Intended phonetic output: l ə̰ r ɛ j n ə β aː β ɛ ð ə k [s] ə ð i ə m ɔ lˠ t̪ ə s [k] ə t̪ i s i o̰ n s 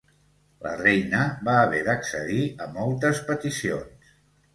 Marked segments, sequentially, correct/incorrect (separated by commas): correct, incorrect